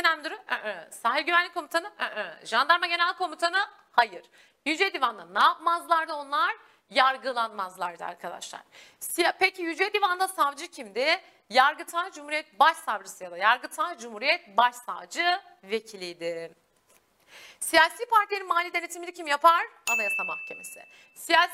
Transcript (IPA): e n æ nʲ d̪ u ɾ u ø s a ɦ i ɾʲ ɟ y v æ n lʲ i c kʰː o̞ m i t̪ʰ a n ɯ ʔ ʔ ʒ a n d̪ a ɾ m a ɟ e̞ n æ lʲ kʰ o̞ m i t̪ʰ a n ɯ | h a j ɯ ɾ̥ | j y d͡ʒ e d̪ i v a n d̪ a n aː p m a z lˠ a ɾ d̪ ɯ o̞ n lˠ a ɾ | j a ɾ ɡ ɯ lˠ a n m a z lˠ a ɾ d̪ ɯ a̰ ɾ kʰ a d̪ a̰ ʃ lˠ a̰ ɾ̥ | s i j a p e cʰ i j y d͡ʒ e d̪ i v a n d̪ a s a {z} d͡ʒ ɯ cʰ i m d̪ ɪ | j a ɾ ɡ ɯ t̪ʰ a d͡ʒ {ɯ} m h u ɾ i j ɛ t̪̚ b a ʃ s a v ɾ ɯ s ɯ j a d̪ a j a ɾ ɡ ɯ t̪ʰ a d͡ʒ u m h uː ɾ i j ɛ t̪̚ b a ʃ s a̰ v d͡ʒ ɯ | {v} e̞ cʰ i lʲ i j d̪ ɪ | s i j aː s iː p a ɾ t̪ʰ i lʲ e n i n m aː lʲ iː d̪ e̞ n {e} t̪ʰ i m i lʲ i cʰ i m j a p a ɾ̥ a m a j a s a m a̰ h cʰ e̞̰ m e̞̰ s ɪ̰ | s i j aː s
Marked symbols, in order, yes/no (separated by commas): no, no, yes, yes